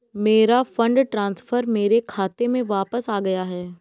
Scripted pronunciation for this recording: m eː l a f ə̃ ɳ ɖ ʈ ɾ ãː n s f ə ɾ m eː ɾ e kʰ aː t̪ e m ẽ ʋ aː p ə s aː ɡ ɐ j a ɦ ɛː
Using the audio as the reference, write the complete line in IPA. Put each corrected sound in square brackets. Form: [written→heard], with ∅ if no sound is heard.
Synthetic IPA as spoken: m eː [l→ɾ] a f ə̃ ɳ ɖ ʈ ɾ ãː n s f ə ɾ m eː ɾ e kʰ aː t̪ e m ẽ ʋ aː p ə s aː ɡ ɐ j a ɦ ɛː

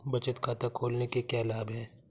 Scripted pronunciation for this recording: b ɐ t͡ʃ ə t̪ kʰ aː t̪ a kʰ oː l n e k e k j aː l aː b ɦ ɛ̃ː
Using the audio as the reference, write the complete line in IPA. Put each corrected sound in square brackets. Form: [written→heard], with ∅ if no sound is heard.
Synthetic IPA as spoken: b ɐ t͡ʃ ə t̪ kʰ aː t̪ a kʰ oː l n e k e k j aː l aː b ɦ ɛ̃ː

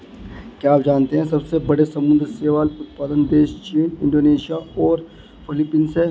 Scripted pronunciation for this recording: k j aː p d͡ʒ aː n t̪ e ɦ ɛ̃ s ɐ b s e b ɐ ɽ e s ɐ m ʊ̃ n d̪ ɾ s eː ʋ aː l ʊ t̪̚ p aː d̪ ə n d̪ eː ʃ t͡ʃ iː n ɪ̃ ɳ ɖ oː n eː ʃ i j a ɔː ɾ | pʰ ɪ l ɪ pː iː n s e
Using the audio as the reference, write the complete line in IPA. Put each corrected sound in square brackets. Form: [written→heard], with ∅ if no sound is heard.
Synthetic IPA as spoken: k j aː p d͡ʒ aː n t̪ e ɦ ɛ̃ s ɐ b s e b ɐ ɽ e s ɐ m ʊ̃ n d̪ ɾ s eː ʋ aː l ʊ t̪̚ p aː d̪ ə n d̪ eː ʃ t͡ʃ iː n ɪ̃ ɳ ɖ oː n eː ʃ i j a ɔː ɾ | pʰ ɪ l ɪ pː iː n s e

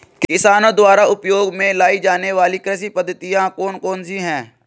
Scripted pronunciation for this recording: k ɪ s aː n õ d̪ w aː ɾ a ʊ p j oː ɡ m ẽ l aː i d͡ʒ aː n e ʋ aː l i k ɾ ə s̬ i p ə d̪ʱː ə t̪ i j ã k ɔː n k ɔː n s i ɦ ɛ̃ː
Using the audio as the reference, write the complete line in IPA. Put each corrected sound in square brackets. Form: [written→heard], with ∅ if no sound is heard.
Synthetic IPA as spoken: k ɪ s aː n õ d̪ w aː ɾ a ʊ p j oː ɡ m ẽ l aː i d͡ʒ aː n e ʋ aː l i k ɾ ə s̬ i p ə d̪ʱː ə t̪ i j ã k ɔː n k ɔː n s i ɦ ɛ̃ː

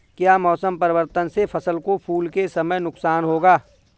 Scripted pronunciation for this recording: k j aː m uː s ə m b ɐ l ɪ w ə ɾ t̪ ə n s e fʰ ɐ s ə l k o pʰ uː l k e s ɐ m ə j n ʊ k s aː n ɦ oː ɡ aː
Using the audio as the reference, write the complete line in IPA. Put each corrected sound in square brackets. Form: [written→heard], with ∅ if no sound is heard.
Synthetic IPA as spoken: k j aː m [uː→ɔː] s ə m [b→p] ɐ [l→ɾ] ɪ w ə ɾ t̪ ə n s e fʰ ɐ s ə l k o pʰ uː l k e s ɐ m ə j n ʊ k s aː n ɦ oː ɡ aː

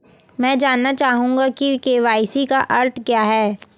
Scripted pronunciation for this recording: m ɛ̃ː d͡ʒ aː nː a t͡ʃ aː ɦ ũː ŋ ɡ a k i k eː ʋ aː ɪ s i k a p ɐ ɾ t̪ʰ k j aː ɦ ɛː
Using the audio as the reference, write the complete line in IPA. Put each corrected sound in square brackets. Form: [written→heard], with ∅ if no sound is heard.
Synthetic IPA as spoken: m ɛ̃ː d͡ʒ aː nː a t͡ʃ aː ɦ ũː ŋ ɡ a k i k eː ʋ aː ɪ s i k a [p→ʔ] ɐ ɾ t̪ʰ k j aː ɦ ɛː

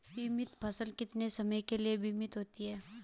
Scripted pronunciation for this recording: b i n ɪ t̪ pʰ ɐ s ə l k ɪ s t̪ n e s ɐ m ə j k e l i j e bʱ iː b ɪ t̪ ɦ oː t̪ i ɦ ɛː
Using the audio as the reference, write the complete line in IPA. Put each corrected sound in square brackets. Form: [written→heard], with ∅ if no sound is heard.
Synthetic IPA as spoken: b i [n→m] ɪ t̪ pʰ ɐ s ə l k ɪ [s→∅] t̪ n e s ɐ m ə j k e l i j e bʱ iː [b→m] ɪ t̪ ɦ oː t̪ i ɦ ɛː

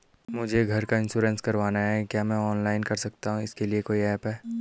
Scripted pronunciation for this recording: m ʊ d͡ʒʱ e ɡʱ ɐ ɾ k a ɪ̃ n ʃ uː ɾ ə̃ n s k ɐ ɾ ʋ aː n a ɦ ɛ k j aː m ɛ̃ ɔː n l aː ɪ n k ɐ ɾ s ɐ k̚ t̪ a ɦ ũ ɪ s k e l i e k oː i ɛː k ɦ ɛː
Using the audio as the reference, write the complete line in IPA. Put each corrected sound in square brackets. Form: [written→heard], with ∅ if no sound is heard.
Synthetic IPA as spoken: m ʊ d͡ʒʱ e ɡʱ ɐ ɾ k a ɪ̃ n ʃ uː ɾ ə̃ n s k ɐ ɾ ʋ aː n a ɦ ɛ k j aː m ɛ̃ ɔː n l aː ɪ n k ɐ ɾ s ɐ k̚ t̪ a ɦ ũ ɪ s k e l i e k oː i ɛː [k→p] ɦ ɛː

